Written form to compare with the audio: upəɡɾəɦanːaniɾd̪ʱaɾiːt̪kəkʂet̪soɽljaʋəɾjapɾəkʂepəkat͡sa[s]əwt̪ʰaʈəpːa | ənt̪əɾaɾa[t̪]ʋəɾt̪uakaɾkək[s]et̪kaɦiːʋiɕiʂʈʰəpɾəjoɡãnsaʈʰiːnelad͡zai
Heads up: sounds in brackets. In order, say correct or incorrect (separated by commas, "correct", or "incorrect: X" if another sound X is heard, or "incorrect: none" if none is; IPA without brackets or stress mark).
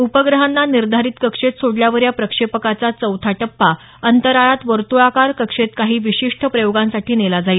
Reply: incorrect: t͡s, correct, incorrect: ʂ